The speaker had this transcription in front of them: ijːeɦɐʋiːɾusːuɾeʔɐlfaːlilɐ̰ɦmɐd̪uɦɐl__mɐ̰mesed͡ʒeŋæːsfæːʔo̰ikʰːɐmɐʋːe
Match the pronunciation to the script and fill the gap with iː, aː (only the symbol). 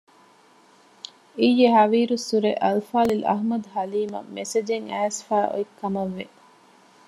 iː